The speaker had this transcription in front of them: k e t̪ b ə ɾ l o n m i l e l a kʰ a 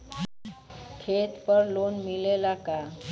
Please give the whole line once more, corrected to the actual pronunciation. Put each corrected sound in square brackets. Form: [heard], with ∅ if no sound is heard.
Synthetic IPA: [kʰ] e t̪ [p] ə ɾ l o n m i l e l a [k] a